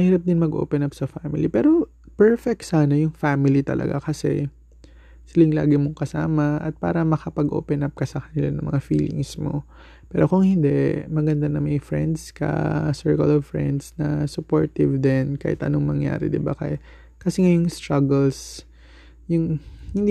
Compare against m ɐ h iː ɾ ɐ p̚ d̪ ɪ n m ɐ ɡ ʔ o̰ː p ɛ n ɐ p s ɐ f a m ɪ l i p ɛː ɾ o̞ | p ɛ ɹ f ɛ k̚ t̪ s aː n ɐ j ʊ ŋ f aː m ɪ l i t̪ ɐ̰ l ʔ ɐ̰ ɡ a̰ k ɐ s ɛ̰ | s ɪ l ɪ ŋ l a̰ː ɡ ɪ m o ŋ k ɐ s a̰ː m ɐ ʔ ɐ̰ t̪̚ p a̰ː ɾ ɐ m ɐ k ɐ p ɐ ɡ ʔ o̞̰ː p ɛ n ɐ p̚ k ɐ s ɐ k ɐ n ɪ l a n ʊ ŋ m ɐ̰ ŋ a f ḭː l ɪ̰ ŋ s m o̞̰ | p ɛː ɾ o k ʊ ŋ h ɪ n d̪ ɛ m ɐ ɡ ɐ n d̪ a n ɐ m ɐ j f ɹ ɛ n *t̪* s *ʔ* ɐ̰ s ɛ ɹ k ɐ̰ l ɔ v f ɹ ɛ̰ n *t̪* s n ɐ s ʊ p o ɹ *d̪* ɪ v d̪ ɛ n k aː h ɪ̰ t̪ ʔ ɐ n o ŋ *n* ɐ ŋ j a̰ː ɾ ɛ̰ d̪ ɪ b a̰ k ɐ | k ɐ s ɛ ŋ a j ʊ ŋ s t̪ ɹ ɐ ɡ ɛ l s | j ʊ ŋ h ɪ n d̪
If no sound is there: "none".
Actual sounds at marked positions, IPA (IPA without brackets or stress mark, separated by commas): d̪, k, d̪, t̪, m